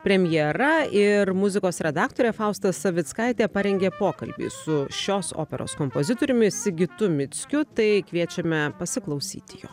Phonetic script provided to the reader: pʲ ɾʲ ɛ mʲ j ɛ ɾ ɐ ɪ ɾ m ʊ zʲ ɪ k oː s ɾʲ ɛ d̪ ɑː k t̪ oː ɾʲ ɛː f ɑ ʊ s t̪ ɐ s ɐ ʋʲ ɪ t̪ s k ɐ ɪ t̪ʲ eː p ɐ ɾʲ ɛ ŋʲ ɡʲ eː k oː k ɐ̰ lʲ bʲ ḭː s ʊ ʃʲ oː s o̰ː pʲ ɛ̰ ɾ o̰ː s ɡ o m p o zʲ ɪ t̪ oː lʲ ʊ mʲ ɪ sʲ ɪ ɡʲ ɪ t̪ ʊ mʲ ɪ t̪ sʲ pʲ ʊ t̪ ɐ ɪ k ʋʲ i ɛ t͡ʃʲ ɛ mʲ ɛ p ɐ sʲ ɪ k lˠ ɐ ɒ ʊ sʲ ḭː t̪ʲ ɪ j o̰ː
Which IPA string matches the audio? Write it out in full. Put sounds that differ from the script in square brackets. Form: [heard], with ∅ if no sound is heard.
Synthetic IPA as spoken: pʲ ɾʲ ɛ mʲ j ɛ ɾ ɐ ɪ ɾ m ʊ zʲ ɪ k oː s ɾʲ ɛ d̪ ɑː k t̪ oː ɾʲ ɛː f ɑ ʊ s t̪ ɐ s ɐ ʋʲ ɪ t̪ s k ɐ ɪ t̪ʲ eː p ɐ ɾʲ ɛ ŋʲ ɡʲ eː [p] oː k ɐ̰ lʲ bʲ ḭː s ʊ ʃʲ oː s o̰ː pʲ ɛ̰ ɾ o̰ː s [k] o m p o zʲ ɪ t̪ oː [ɾʲ] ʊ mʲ ɪ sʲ ɪ ɡʲ ɪ t̪ ʊ mʲ ɪ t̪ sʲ [kʲ] ʊ t̪ ɐ ɪ k ʋʲ i ɛ t͡ʃʲ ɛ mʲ ɛ p ɐ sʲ ɪ k lˠ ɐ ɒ ʊ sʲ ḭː t̪ʲ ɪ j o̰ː